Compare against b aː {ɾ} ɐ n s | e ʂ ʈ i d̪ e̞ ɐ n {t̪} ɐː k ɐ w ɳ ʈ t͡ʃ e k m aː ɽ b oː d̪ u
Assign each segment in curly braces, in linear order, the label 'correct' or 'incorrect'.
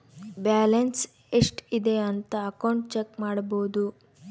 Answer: incorrect, correct

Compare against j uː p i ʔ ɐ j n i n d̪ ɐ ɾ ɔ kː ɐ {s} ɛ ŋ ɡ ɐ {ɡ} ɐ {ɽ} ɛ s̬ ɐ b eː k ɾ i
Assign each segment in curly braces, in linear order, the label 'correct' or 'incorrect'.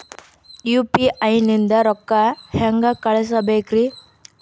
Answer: incorrect, incorrect, incorrect

